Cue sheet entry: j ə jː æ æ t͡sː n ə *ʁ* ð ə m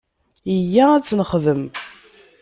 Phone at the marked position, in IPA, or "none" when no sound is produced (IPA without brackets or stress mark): χ